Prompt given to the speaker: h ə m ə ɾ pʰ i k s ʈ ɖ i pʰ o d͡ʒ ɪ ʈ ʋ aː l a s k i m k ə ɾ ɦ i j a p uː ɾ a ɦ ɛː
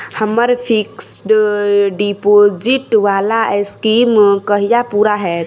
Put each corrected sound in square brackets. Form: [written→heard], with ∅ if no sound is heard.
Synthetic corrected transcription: h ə m ə ɾ pʰ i k s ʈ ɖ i [pʰ→p] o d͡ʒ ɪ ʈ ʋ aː l a s k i m k ə [ɾ→∅] ɦ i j a p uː ɾ a ɦ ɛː